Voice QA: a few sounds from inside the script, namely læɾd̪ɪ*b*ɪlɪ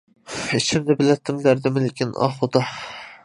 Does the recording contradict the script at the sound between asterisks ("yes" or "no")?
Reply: yes